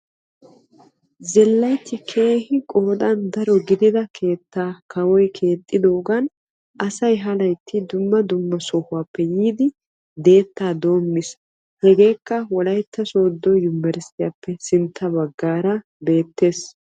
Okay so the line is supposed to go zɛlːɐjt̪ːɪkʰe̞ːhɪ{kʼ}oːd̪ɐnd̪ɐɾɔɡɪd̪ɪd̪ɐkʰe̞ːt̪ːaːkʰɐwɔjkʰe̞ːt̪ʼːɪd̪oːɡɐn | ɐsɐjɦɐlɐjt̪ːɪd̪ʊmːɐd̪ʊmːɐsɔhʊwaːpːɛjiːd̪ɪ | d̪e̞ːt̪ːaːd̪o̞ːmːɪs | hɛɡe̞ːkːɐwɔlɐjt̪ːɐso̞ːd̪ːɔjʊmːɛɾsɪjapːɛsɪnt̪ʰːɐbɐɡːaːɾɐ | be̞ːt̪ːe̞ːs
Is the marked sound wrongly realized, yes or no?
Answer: no